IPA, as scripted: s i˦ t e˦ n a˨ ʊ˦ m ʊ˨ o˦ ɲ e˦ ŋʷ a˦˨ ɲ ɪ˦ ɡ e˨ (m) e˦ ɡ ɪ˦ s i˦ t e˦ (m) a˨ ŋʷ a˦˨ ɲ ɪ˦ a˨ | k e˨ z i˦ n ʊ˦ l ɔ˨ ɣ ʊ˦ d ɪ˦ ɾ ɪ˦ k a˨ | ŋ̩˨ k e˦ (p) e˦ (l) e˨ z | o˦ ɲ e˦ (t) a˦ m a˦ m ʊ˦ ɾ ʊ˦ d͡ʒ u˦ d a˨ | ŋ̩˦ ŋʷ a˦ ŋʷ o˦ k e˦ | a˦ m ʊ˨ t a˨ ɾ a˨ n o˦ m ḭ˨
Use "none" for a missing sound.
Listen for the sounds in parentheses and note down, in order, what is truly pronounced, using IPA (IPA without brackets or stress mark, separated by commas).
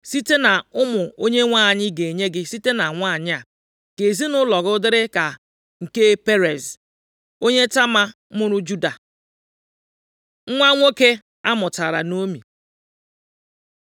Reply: ɲ, n, p, ɾ, t